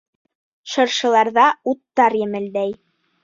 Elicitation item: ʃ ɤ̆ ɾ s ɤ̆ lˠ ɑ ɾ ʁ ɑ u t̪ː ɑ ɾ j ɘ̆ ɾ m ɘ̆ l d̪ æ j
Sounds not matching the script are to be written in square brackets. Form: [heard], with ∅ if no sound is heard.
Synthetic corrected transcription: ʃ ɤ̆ ɾ [ʃ] ɤ̆ lˠ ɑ ɾ [ð] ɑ u t̪ː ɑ ɾ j ɘ̆ [∅] m ɘ̆ l d̪ æ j